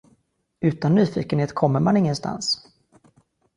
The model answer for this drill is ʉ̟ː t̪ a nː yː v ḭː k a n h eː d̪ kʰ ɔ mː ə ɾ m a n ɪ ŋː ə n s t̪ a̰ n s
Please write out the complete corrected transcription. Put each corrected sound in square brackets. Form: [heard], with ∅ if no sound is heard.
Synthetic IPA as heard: ʉ̟ː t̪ a nː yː [f] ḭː k [ə] n h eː [t̪] kʰ ɔ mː ə ɾ m a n ɪ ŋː ə n s t̪ a̰ n s